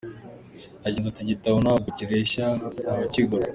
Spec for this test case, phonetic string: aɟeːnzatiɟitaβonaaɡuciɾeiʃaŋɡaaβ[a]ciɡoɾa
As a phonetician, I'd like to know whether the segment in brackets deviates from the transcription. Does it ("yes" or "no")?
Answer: no